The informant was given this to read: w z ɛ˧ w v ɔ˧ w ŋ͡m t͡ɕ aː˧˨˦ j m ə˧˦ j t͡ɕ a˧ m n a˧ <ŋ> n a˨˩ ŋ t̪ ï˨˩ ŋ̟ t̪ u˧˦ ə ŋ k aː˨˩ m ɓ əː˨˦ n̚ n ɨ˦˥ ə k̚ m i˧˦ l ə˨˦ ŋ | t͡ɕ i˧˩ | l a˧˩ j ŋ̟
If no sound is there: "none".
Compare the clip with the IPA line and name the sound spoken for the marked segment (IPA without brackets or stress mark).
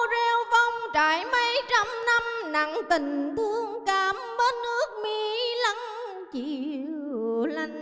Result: m